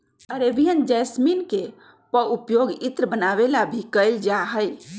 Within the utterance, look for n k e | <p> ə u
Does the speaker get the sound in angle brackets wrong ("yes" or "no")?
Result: no